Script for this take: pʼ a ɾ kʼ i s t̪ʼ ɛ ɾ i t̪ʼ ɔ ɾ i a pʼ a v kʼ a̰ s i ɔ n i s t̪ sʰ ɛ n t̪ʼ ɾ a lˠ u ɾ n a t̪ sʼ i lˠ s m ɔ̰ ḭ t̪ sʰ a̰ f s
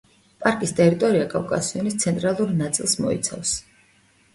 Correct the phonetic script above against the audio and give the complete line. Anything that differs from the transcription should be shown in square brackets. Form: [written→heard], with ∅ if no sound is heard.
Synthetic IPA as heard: pʼ a ɾ kʼ i s t̪ʼ ɛ ɾ i t̪ʼ ɔ ɾ i a [pʼ→kʼ] a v kʼ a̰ s i ɔ n i s t̪ sʰ ɛ n t̪ʼ ɾ a lˠ u ɾ n a t̪ sʼ i lˠ s m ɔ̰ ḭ t̪ sʰ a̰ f s

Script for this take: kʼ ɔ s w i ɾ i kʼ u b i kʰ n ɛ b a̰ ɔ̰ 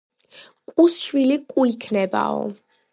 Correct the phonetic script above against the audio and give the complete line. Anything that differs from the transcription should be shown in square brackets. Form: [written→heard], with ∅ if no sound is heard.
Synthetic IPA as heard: kʼ [ɔ→u] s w i [ɾ→l] i kʼ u [b→∅] i kʰ n ɛ b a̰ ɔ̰

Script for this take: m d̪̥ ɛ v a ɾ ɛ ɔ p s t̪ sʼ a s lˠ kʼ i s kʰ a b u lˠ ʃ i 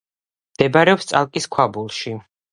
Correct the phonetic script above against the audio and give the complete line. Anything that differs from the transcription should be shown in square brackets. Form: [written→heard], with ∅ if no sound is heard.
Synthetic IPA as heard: m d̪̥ ɛ [v→b] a ɾ ɛ ɔ p s t̪ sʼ a [s→∅] lˠ kʼ i s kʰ a b u lˠ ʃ i

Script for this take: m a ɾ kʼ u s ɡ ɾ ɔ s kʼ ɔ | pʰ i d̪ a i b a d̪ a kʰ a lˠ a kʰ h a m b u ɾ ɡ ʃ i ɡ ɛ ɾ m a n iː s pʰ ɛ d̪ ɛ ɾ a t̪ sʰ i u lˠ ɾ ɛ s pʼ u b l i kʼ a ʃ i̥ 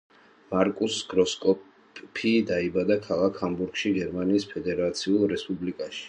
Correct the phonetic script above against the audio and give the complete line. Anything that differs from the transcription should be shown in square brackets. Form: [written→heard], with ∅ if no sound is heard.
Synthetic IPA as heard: m a ɾ kʼ u s ɡ ɾ ɔ s kʼ ɔ | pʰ i d̪ a i b a d̪ a kʰ a lˠ a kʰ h a m b u ɾ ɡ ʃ i ɡ ɛ ɾ m a n iː s pʰ ɛ d̪ ɛ ɾ a t̪ sʰ i u lˠ ɾ ɛ s pʼ u b l i kʼ a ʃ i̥

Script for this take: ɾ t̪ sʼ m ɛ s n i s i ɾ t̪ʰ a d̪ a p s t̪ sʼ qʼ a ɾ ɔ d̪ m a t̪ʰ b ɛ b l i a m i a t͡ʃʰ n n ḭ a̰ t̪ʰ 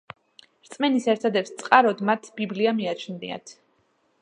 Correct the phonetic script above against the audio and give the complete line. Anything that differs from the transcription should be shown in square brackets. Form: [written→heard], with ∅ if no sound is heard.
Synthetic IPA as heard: ɾ t̪ sʼ m ɛ [s→∅] n i s [i→ɛ] ɾ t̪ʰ a d̪ [a→ɛ] p s t̪ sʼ qʼ a ɾ ɔ d̪ m a t̪ʰ b [ɛ→i] b l i a m i a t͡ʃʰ n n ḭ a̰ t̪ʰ

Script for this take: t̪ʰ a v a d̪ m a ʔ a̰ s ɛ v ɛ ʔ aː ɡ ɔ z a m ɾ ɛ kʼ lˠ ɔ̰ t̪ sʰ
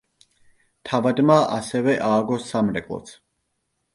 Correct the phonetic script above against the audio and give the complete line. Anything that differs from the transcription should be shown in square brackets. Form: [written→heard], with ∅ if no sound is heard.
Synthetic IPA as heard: t̪ʰ a v a d̪ m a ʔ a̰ s ɛ v ɛ ʔ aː ɡ ɔ [z→s] a m ɾ ɛ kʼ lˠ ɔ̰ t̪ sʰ

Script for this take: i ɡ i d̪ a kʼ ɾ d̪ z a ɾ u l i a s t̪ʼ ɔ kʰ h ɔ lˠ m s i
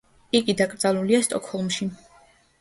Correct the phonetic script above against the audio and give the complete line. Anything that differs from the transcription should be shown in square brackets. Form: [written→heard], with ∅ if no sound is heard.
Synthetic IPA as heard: i ɡ i d̪ a kʼ ɾ d̪ z a [ɾ→l] u l i a s t̪ʼ ɔ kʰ h ɔ lˠ m [s→ʃ] i

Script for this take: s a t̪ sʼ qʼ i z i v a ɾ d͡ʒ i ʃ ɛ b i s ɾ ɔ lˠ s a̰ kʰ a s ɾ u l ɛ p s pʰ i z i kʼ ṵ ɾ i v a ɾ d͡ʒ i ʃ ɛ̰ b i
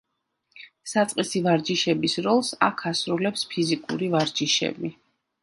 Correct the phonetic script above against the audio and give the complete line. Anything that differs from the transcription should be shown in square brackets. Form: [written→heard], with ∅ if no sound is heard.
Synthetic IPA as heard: s a t̪ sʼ qʼ i [z→s] i v a ɾ d͡ʒ i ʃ ɛ b i s ɾ ɔ lˠ s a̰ kʰ a s ɾ u l ɛ p s pʰ i z i kʼ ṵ ɾ i v a ɾ d͡ʒ i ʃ ɛ̰ b i

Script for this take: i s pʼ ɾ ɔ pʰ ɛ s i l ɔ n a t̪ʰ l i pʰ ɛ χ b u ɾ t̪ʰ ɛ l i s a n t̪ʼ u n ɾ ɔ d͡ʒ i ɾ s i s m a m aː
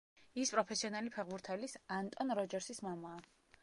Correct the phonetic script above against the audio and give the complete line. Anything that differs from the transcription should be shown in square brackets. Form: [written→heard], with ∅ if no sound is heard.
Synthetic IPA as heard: i s pʼ ɾ ɔ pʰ ɛ s i [l→∅] ɔ n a [t̪ʰ→∅] l i pʰ ɛ [χ→ʁ] b u ɾ t̪ʰ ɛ l i s a n t̪ʼ [u→ɔ] n ɾ ɔ d͡ʒ [i→ɛ] ɾ s i s m a m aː

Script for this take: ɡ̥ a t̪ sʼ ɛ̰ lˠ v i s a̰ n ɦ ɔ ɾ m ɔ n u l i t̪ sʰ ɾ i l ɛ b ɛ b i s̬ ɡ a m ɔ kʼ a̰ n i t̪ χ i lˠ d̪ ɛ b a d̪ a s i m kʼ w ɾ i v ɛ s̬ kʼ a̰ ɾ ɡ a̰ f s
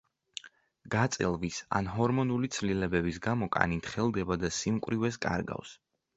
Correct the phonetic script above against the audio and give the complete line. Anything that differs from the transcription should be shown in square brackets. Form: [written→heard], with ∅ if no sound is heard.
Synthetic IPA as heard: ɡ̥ a t̪ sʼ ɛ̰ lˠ v i s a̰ n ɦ ɔ ɾ m ɔ n u l i t̪ sʰ [ɾ→l] i l ɛ b ɛ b i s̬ ɡ a m ɔ kʼ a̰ n i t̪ χ [i→ɛ] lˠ d̪ ɛ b a d̪ a s i m kʼ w ɾ i v ɛ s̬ kʼ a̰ ɾ ɡ a̰ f s

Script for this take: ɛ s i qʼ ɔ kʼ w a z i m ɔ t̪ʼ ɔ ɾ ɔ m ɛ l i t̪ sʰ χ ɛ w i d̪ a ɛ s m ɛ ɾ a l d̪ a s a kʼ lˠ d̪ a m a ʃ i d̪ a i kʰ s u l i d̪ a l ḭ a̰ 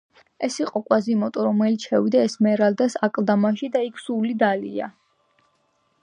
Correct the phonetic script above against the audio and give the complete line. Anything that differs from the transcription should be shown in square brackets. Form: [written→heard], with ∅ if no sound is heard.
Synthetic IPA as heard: ɛ s i qʼ ɔ kʼ w a z i m ɔ t̪ʼ ɔ ɾ ɔ m ɛ l i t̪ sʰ [χ→ʃ] ɛ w i d̪ a ɛ s m ɛ ɾ a l d̪ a s a kʼ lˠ d̪ a m a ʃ i d̪ a i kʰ s u l i d̪ a l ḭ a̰

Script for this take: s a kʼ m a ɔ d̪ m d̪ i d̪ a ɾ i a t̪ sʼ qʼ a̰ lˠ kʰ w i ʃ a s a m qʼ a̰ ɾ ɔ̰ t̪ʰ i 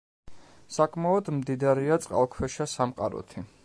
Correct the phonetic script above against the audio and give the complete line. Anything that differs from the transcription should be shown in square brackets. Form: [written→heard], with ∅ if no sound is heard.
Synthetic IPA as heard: s a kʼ m a ɔ d̪ m d̪ i d̪ a ɾ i a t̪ sʼ qʼ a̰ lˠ kʰ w [i→ɛ] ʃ a s a m qʼ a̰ ɾ ɔ̰ t̪ʰ i

